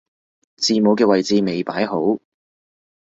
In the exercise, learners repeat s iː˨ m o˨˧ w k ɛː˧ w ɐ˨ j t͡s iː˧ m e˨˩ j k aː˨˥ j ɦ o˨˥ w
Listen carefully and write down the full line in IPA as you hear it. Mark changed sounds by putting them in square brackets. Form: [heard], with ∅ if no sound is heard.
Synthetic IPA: [t͡s] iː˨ m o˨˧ w k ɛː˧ w ɐ˨ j t͡s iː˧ m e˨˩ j [p] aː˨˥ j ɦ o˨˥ w